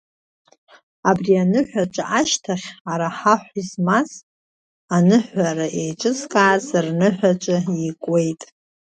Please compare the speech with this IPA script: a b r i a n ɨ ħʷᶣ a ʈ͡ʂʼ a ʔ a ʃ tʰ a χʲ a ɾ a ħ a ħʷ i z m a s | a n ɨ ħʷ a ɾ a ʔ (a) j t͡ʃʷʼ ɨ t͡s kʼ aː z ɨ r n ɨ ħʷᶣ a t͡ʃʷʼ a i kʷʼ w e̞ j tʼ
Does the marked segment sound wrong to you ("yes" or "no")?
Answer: yes